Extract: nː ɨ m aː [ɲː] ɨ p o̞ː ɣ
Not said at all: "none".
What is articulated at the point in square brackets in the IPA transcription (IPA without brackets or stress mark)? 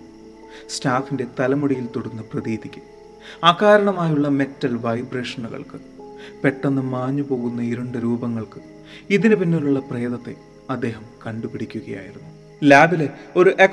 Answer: ɲː